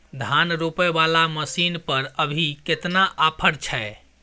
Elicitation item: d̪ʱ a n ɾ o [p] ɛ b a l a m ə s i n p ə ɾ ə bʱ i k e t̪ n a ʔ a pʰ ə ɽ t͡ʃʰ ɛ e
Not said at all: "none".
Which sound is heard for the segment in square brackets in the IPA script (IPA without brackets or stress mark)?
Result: p